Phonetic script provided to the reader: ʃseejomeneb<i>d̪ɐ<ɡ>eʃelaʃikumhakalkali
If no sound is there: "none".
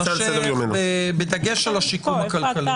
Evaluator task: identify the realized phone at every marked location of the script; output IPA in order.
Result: e, ɡ

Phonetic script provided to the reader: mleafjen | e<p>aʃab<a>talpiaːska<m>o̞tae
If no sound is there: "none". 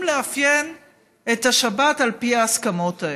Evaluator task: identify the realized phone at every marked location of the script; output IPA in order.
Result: t, a, m

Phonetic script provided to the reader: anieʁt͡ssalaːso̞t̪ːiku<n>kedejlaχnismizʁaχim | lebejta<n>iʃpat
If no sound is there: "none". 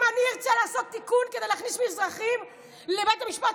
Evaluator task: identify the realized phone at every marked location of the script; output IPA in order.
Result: n, m

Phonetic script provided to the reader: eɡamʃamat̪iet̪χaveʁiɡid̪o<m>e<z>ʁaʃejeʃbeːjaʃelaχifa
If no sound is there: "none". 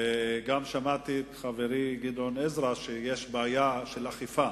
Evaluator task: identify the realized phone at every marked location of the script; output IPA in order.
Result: n, z

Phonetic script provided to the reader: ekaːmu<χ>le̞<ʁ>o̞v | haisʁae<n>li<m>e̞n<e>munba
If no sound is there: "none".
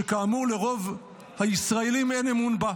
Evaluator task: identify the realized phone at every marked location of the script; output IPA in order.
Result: ʁ, ʁ, none, m, e

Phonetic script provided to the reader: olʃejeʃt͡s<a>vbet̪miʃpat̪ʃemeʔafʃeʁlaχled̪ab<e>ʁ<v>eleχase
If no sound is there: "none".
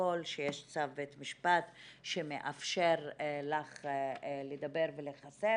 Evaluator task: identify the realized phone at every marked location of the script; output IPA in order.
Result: a, e, v

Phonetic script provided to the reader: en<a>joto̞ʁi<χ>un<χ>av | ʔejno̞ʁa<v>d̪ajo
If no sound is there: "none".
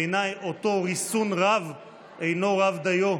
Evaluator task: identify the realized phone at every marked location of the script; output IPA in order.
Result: a, s, ʁ, v

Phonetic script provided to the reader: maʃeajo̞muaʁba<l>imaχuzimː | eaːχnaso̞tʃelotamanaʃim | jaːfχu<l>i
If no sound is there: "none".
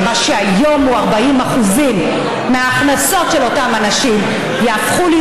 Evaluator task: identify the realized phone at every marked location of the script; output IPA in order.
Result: none, l

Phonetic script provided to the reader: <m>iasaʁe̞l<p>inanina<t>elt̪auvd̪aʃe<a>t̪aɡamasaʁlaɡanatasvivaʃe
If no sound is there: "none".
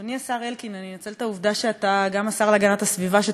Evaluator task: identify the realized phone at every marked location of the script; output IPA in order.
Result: n, k, t͡s, a

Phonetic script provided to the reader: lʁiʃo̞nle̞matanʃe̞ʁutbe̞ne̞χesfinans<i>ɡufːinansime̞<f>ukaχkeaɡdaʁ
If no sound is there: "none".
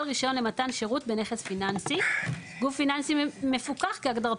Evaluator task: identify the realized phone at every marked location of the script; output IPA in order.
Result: i, f

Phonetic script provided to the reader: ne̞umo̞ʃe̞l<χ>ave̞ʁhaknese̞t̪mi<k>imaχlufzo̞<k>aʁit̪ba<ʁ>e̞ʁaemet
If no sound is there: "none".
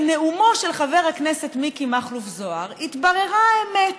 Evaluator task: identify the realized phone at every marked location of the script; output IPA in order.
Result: χ, k, none, ʁ

